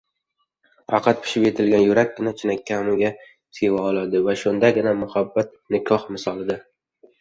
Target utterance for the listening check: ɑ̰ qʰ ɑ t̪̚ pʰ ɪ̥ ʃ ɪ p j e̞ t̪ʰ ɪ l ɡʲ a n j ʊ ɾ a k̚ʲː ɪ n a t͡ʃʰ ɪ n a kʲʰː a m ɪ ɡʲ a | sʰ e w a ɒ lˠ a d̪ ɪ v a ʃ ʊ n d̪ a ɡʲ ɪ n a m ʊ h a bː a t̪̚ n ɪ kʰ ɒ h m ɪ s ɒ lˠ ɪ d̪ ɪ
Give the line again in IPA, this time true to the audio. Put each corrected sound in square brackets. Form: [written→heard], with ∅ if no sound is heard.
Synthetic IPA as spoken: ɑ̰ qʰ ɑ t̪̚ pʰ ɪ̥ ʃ ɪ p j e̞ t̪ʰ ɪ l ɡʲ a n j ʊ ɾ a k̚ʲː ɪ n a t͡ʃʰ ɪ n a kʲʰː a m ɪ ɡʲ a | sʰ e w a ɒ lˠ a d̪ ɪ v a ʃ ʊ n d̪ a ɡʲ ɪ n a m ʊ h a bː a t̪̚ n ɪ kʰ ɒ h m ɪ s ɒ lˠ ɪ d̪ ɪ

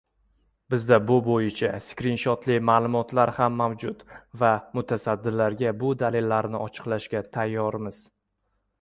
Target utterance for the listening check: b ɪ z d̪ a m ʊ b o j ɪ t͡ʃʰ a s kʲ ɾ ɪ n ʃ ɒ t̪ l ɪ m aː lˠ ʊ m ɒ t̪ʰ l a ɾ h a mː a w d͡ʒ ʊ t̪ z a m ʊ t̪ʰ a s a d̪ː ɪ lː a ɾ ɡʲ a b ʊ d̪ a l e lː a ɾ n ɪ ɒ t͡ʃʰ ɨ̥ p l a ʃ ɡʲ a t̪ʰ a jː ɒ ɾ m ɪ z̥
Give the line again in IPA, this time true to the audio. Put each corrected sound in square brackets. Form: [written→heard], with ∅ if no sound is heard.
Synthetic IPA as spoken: b ɪ z d̪ a [m→b] ʊ b o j ɪ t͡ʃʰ a s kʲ ɾ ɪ n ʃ ɒ t̪ l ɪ m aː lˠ ʊ m ɒ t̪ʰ l a ɾ h a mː a w d͡ʒ ʊ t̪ [z→v] a m ʊ t̪ʰ a s a d̪ː ɪ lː a ɾ ɡʲ a b ʊ d̪ a l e lː a ɾ n ɪ ɒ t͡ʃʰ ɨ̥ [p→q] l a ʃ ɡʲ a t̪ʰ a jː ɒ ɾ m ɪ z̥

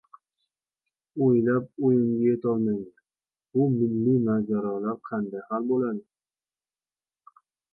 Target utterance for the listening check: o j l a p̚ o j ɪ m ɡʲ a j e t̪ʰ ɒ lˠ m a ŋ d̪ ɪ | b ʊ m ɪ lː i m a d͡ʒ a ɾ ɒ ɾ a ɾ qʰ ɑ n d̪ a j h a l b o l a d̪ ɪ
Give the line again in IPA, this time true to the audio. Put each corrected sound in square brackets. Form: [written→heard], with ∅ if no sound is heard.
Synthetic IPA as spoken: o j l a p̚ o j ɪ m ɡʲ a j e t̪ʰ ɒ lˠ m a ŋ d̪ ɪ | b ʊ m ɪ lː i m a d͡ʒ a ɾ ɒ [ɾ→l] a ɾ qʰ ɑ n d̪ a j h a l b o l a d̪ ɪ

